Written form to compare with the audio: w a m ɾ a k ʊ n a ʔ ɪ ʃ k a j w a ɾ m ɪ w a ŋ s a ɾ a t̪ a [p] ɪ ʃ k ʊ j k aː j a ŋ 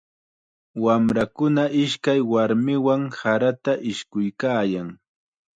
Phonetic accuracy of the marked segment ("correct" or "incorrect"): incorrect